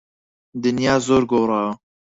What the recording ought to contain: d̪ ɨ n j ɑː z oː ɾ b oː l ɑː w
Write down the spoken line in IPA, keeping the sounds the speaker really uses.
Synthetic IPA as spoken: d̪ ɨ n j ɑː z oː ɾ ɡ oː ɾ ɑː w